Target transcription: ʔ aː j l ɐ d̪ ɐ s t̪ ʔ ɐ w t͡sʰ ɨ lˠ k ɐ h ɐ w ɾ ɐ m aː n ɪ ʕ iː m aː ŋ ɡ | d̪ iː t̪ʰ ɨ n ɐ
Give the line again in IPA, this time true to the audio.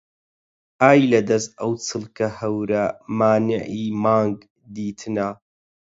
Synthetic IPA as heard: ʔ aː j l ɐ d̪ ɐ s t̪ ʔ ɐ w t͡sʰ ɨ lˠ k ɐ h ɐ w ɾ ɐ m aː n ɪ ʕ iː m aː ŋ ɡ | d̪ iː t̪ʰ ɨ n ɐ